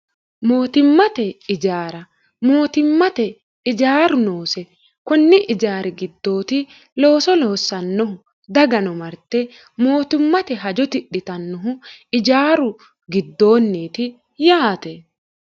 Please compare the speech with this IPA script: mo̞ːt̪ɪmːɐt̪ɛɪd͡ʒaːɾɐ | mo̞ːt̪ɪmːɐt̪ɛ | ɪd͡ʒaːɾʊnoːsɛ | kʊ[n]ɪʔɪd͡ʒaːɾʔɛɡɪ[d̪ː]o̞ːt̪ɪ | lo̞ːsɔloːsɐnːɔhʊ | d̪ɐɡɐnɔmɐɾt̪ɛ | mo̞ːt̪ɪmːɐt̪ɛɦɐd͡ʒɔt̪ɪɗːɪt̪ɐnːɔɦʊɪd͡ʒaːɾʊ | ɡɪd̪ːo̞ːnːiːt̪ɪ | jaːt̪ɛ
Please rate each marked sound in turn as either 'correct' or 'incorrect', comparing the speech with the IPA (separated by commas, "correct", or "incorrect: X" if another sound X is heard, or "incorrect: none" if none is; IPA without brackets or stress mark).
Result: incorrect: nː, correct